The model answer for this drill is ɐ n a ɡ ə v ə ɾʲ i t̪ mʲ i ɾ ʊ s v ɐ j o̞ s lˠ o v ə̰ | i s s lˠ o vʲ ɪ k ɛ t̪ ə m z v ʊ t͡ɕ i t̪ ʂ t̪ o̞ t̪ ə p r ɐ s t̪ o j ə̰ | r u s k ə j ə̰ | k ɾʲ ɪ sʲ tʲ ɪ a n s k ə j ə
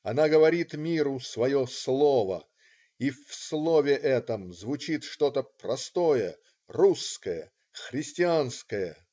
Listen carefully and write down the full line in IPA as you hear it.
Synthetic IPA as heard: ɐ n a ɡ ə v ɐ ɾʲ i t̪ mʲ i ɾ ʊ s v ɐ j o̞ s lˠ o v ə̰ | i f s lˠ o vʲ ɪ ʔ ɛ t̪ ə m z v ʊ t͡ɕ i t̪ ʂ t̪ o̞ t̪ ə p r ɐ s t̪ o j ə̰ | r u s k ə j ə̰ | x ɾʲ ɪ sʲ tʲ ɪ a n s k ə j ə